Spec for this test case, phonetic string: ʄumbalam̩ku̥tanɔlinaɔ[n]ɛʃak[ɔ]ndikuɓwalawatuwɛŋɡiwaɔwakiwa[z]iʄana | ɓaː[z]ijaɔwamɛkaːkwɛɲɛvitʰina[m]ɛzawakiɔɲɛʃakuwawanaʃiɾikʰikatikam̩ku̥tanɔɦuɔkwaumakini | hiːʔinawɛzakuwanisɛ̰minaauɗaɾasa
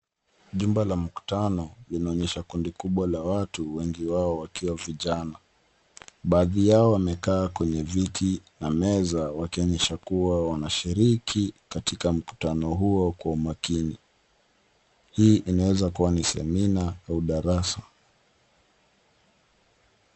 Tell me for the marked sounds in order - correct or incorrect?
incorrect, incorrect, incorrect, incorrect, correct

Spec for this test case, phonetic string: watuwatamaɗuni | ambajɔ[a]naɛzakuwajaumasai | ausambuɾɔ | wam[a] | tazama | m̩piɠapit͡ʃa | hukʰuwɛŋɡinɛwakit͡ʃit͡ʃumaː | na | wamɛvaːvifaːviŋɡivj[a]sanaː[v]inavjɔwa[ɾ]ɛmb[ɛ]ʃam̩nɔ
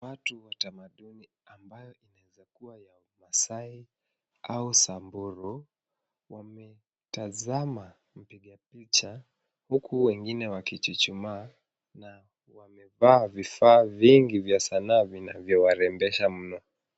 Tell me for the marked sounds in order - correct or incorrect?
incorrect, incorrect, correct, correct, correct, correct

